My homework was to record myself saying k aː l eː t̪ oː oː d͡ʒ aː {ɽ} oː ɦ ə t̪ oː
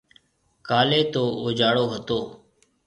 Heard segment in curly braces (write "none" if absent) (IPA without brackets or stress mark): ɽ